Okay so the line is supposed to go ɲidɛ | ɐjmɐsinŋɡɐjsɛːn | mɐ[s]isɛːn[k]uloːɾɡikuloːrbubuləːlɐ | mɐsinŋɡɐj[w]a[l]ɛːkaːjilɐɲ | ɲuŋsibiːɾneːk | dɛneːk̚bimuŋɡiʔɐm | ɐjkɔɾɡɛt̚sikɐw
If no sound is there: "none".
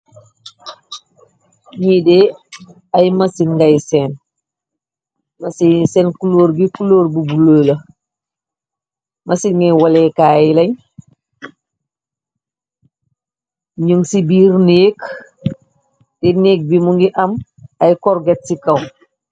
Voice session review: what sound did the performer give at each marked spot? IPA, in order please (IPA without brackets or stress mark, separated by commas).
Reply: s, k, w, l